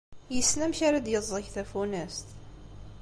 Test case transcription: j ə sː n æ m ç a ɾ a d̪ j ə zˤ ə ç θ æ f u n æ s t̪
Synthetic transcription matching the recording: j ə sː n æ m ç a ɾ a d̪ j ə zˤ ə ç θ æ f u n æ s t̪